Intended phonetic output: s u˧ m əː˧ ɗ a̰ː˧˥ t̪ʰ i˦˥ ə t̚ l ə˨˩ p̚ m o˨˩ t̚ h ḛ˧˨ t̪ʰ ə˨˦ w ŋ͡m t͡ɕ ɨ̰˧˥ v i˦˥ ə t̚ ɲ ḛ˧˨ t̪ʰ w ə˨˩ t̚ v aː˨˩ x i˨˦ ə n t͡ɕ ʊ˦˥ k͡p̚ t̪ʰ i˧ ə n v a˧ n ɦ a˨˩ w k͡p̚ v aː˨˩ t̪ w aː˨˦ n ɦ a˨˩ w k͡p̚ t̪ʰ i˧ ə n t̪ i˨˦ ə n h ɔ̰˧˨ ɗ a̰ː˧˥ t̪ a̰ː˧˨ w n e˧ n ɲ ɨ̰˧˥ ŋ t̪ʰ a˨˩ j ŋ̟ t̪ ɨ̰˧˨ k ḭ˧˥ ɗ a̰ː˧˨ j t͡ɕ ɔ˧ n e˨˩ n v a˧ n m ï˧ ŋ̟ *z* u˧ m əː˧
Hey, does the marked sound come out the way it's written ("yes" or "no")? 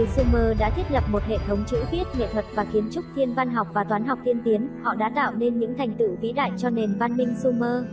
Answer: no